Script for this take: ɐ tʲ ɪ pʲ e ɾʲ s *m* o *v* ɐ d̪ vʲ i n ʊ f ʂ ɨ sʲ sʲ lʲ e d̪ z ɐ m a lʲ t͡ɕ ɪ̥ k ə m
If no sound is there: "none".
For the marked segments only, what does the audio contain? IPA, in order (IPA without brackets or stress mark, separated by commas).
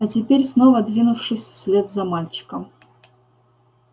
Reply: n, v